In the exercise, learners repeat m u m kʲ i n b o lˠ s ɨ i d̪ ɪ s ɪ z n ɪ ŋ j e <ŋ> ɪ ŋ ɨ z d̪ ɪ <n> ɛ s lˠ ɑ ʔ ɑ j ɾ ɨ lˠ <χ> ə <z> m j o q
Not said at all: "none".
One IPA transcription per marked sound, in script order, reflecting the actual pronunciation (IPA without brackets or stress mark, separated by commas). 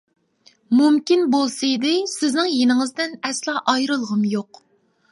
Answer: n, n, ʁ, none